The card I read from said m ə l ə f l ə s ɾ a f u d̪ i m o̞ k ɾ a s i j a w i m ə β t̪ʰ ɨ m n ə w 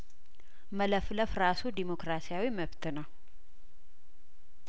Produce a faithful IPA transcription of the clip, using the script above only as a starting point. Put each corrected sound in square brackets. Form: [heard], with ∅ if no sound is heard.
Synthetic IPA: m ə l ə f l ə [f] ɾ a [s] u d̪ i m o̞ k ɾ a s i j a w i m ə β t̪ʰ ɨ [∅] n ə w